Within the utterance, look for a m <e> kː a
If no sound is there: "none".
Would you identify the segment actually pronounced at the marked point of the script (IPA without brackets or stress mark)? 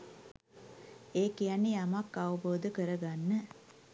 a